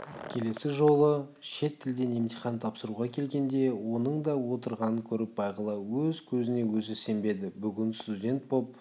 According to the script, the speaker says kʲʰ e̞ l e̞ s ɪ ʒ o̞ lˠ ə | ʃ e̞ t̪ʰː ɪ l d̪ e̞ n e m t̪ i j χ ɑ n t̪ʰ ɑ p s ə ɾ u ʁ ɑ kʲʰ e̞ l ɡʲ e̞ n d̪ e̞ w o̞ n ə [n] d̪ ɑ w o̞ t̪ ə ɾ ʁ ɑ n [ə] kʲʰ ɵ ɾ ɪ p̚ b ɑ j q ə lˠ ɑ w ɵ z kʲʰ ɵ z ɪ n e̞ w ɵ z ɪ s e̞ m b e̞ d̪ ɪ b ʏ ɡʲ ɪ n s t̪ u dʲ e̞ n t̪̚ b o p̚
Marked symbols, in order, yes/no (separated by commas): no, yes